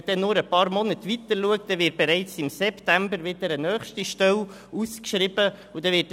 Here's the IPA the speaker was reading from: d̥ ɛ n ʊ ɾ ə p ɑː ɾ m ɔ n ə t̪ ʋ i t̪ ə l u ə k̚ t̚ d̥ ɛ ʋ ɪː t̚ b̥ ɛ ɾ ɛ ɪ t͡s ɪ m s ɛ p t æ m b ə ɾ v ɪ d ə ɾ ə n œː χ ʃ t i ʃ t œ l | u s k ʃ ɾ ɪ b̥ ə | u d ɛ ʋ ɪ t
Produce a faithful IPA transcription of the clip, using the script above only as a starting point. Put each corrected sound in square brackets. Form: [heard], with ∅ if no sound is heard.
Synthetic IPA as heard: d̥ ɛ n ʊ ɾ ə p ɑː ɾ m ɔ n ə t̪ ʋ i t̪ ə l u ə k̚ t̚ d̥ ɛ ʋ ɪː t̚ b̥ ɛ ɾ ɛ ɪ t͡s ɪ m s ɛ p t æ m b ə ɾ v ɪ d ə ɾ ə n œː χ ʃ t i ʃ t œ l | u s k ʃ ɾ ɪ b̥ ə | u d ɛ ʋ ɪ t